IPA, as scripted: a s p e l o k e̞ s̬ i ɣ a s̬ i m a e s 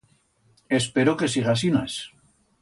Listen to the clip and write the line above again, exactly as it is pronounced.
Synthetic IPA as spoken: e s p e ɾ o k e̞ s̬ i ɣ a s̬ i n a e s